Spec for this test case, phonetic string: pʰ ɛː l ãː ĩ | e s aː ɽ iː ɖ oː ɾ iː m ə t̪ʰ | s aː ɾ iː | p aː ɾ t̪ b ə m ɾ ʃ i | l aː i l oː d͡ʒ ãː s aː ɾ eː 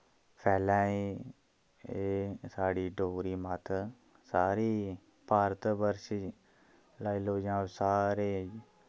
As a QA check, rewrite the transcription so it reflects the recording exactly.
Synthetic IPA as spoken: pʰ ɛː l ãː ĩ | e s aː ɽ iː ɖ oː ɾ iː m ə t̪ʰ | s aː ɾ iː | p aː ɾ t̪ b ə ɾ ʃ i | l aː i l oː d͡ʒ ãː s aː ɾ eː